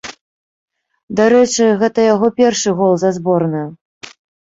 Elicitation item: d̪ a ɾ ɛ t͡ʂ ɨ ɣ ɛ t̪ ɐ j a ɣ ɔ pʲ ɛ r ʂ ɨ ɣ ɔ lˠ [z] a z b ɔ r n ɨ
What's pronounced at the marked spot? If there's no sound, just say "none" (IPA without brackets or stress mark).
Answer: z